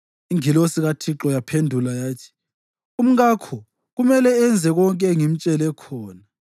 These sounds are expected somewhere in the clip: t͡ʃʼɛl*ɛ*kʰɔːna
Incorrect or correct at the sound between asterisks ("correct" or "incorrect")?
correct